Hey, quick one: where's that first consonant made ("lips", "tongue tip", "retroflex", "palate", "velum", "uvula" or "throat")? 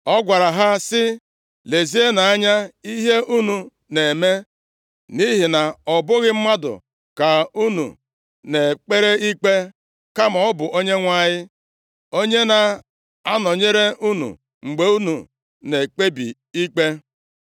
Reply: velum